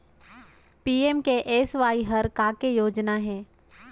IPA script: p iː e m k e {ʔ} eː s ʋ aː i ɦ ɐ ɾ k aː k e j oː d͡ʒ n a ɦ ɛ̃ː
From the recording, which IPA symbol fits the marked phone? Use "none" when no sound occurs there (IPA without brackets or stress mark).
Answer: ʔ